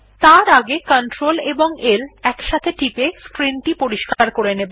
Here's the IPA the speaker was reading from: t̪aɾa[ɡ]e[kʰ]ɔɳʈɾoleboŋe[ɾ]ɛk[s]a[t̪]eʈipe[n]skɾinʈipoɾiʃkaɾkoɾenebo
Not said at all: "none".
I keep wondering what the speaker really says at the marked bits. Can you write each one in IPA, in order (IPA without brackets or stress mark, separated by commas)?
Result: ɡ, k, l, ʃ, t̪ʰ, none